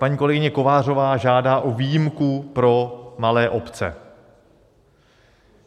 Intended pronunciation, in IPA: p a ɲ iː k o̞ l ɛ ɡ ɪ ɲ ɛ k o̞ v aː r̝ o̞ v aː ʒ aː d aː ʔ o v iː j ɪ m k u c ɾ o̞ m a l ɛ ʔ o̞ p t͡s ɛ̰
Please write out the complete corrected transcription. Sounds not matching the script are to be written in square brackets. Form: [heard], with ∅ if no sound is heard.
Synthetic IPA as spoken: p a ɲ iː k o̞ l ɛ ɡ ɪ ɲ ɛ k o̞ v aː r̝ o̞ v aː ʒ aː d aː ʔ o v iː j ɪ m k u [p] ɾ o̞ m a l [ɛː] ʔ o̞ p t͡s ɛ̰